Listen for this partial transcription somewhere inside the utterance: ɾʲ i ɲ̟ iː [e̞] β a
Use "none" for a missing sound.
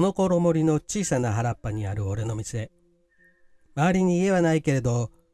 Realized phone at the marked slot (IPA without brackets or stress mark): e̞